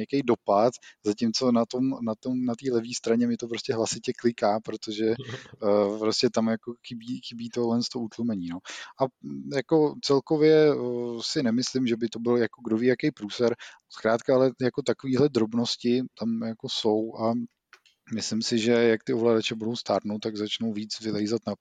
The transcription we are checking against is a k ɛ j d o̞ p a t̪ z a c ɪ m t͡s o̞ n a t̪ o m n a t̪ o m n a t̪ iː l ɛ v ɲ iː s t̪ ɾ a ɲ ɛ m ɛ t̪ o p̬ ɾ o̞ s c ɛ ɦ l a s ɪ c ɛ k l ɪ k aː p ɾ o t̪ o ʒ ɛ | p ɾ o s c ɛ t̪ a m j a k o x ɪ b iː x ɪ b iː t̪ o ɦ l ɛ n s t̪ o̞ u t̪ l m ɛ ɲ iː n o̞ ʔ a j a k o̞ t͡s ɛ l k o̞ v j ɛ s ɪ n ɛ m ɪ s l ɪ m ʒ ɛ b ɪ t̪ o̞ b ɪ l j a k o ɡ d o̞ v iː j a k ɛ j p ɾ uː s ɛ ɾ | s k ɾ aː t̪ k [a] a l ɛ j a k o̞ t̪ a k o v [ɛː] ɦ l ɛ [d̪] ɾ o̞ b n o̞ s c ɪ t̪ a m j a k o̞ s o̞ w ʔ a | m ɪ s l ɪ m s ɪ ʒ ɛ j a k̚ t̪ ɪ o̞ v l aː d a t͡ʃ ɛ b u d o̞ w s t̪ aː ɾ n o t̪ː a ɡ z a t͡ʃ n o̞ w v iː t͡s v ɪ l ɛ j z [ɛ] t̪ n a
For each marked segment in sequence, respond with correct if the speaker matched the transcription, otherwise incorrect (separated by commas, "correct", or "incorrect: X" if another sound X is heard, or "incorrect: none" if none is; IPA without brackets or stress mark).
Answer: correct, incorrect: iː, correct, incorrect: a